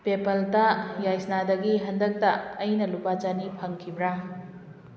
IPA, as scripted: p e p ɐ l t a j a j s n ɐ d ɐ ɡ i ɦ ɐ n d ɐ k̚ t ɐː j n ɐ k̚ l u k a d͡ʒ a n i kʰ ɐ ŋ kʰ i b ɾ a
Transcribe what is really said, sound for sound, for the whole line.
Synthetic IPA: p e p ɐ l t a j a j s n a d ɐ ɡ i ɦ ɐ n d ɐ k̚ t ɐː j n ɐ l u p a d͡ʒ a n i pʰ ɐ ŋ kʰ i b ɾ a

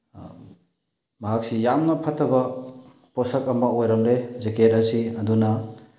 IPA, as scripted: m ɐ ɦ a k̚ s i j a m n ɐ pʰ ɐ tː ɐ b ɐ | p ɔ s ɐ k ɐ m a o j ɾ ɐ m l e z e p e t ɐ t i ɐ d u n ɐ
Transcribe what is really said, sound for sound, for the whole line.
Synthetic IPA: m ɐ ɦ a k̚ s i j a m n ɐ pʰ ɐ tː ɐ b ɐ | p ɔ s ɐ k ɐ m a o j ɾ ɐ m l e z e k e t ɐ s i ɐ d u n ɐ

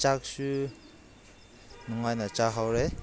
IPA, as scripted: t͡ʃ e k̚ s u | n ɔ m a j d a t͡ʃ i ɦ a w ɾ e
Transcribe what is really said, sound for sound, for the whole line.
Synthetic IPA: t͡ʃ a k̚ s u | n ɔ ŋ a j n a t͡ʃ a ɦ a w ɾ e

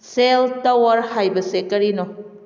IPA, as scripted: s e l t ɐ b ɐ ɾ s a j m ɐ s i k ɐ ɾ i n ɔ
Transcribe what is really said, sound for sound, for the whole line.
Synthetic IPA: s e l t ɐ w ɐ ɾ h a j b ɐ s e k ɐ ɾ i n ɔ

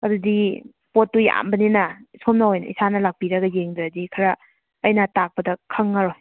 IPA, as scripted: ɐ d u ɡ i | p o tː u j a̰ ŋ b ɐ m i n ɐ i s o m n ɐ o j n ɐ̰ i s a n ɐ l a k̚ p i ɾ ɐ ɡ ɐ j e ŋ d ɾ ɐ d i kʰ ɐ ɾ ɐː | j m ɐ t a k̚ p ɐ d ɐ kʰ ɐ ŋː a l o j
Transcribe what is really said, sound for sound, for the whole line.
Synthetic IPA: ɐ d u d i | p o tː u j a̰ m b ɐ n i n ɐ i s o m n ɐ o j n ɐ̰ i s a n ɐ l a k̚ p i ɾ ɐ ɡ ɐ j e ŋ d ɾ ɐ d i kʰ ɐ ɾ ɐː | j n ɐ t a k̚ p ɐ d ɐ kʰ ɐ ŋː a ɾ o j

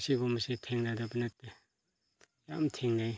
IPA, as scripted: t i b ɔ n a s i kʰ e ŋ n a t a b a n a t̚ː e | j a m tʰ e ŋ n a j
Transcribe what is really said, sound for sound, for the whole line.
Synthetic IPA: s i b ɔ m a s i tʰ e ŋ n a d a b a n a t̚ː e | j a m tʰ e ŋ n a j

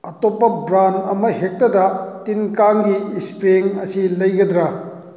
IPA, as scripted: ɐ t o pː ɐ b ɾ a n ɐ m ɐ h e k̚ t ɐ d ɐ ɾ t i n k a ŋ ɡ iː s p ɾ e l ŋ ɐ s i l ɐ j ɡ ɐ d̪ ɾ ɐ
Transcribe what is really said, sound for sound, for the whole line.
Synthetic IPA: ɐ t o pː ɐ b ɾ a n ɐ m ɐ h e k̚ t ɐ d ɐ t i n k a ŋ ɡ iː s p ɾ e ŋ ɐ s i l ɐ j ɡ ɐ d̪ ɾ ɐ

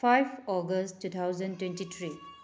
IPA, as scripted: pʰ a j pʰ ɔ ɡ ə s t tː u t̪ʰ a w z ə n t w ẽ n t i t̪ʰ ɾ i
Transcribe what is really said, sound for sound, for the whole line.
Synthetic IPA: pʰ a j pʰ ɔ ɡ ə s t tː u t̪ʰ a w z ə n t w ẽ n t i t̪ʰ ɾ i

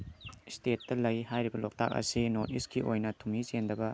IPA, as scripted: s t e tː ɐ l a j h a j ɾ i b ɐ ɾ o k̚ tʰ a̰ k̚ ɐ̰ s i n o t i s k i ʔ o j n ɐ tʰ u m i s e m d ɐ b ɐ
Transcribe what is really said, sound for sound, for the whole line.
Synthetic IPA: s t e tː ɐ l ɐ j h a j ɾ i b ɐ l o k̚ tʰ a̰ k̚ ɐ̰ s i n o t i s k i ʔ o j n ɐ tʰ u m i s e n d ɐ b ɐ

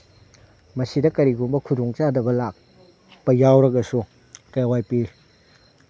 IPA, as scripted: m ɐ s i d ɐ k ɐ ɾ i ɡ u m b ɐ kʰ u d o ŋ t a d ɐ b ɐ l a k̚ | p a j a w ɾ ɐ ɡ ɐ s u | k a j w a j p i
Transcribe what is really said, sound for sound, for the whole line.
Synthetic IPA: m ɐ s i d ɐ k ɐ ɾ i ɡ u m b ɐ kʰ u d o ŋ t͡ʃ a d ɐ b ɐ l a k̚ | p ɐ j a w ɾ ɐ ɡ ɐ s u | k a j w a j p i

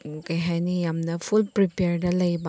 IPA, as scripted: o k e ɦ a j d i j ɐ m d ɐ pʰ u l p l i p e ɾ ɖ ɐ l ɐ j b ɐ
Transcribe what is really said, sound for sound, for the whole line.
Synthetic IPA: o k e ɦ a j n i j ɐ m n ɐ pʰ u l p ɾ i p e ɾ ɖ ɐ l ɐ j b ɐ

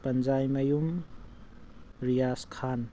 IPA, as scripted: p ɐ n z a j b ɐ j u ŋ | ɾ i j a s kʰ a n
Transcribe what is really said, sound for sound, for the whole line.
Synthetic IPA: p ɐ n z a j m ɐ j u m | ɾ i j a s kʰ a n

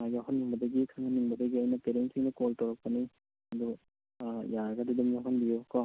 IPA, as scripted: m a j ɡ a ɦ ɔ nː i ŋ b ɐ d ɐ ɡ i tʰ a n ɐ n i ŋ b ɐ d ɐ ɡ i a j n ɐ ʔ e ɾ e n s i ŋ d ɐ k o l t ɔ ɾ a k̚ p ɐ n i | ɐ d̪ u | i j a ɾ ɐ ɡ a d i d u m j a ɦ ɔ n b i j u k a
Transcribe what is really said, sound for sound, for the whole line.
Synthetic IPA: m a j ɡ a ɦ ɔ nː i ŋ b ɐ d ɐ ɡ i kʰ a ŋ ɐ n i ŋ b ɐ d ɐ ɡ i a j n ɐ p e ɾ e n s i ŋ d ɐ k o l t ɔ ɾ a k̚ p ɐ n i | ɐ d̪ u | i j a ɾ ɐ ɡ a d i d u m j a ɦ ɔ n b i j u k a

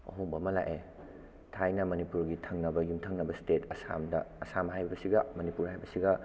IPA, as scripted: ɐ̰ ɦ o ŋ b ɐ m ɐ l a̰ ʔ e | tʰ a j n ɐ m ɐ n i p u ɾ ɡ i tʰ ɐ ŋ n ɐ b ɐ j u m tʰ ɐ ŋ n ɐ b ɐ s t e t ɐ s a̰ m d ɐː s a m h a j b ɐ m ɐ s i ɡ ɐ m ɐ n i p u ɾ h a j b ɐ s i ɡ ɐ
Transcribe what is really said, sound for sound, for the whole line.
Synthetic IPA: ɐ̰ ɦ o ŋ b ɐ m ɐ l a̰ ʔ e | tʰ a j n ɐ m ɐ n i p u ɾ ɡ i tʰ ɐ ŋ n ɐ b ɐ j u m tʰ ɐ ŋ n ɐ b ɐ s t e t ɐ s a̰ m d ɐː s a m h a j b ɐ b ɐ s i ɡ ɐ m ɐ n i p u ɾ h a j b ɐ s i ɡ ɐ

